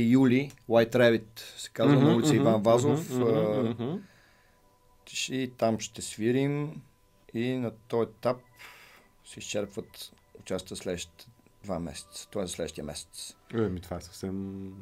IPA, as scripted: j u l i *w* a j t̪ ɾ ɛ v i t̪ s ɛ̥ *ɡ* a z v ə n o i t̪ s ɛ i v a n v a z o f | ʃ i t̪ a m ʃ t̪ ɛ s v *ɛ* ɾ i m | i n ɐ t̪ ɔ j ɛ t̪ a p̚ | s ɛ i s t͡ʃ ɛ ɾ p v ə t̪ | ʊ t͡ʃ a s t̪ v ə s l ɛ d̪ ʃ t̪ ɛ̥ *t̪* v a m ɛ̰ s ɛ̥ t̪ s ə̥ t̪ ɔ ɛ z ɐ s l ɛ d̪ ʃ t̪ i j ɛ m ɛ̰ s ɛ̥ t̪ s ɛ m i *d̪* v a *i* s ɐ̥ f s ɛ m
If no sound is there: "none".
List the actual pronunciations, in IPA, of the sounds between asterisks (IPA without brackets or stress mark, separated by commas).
w, k, i, d̪, t̪, ɛ